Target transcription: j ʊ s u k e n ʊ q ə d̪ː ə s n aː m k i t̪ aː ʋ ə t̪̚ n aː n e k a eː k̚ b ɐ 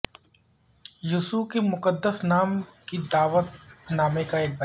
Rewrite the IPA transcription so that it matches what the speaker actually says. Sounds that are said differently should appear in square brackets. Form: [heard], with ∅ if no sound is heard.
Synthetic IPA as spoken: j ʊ s u k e [m] ʊ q ə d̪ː ə s n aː m k i [d̪] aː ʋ ə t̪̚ n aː [m] e k a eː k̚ b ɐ